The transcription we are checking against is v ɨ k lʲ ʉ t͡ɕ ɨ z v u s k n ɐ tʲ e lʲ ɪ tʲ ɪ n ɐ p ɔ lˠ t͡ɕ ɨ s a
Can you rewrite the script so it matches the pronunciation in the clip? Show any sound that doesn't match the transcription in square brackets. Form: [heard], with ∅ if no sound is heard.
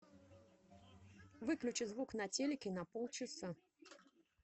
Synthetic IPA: v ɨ k lʲ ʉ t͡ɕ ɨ z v u [∅] k n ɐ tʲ e lʲ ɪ [kʲ] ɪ n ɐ p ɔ lˠ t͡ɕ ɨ s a